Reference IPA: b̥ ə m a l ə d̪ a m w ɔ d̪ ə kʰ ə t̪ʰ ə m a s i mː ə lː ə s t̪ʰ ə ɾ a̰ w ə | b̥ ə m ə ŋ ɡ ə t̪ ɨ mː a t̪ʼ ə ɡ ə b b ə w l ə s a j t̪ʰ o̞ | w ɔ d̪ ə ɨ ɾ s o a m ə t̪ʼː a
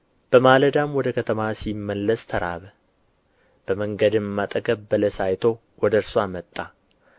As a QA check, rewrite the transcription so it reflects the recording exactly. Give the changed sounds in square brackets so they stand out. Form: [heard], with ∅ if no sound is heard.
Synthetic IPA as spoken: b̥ ə m a l ə d̪ a m w ɔ d̪ ə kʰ ə t̪ʰ ə m a s i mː ə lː ə s t̪ʰ ə ɾ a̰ [β] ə | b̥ ə m ə ŋ ɡ ə [d̪] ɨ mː a t̪ʼ ə ɡ ə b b ə [∅] l ə s a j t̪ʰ o̞ | w ɔ d̪ ə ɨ ɾ s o a m ə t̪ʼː a